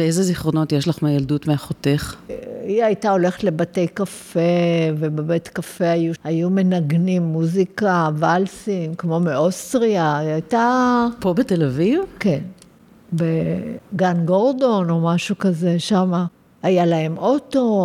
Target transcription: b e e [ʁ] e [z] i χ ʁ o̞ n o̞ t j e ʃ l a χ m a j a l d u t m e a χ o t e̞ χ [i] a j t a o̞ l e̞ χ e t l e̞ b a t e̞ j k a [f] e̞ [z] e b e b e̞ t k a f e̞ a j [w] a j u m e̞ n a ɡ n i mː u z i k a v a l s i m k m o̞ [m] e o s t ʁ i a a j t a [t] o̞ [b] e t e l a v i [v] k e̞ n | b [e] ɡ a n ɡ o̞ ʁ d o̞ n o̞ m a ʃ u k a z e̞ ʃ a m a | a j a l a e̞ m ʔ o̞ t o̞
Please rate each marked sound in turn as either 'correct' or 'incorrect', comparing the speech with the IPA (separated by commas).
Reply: incorrect, correct, correct, correct, incorrect, incorrect, correct, incorrect, correct, correct, correct